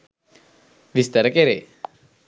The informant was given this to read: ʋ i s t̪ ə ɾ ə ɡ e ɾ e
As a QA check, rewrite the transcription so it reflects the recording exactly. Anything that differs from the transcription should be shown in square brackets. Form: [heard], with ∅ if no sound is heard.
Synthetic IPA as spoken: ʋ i s t̪ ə ɾ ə [k] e ɾ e